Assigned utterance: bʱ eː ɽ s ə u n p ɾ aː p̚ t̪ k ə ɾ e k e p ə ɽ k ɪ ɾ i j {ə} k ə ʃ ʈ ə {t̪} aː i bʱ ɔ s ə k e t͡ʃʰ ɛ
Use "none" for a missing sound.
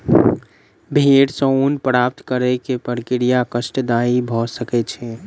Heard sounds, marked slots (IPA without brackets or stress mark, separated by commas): a, d̪